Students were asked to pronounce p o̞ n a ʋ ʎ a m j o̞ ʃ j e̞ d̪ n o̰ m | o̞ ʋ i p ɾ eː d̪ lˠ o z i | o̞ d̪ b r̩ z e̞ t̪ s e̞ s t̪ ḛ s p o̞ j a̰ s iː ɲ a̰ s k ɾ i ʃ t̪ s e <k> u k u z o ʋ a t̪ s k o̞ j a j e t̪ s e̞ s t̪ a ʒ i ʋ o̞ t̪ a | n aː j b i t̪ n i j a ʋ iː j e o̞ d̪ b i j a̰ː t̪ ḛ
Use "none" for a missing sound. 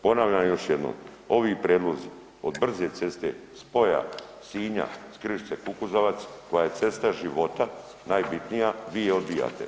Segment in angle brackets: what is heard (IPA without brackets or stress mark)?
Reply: k